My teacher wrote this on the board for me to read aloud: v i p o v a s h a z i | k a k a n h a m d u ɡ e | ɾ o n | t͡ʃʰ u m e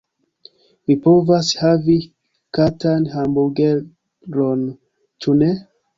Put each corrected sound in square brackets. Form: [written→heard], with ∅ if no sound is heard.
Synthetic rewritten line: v i p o v a s h a [z→v] i | k a [k→t] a n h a m [d→b] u ɡ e | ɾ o n | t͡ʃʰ u [m→n] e